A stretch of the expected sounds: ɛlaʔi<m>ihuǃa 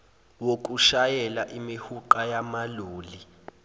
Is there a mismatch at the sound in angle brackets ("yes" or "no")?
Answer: no